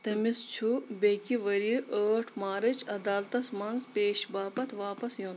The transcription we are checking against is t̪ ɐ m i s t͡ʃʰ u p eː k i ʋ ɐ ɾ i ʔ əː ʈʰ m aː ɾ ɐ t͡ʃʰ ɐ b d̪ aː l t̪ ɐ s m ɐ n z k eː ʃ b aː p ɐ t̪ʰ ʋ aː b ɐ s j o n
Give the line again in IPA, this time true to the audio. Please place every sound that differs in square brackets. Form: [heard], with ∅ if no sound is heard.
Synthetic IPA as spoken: t̪ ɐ m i s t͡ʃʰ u [b] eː k i ʋ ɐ ɾ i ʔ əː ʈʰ m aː ɾ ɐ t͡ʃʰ ɐ [∅] d̪ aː l t̪ ɐ s m ɐ n z [p] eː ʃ b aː p ɐ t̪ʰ ʋ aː [p] ɐ s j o n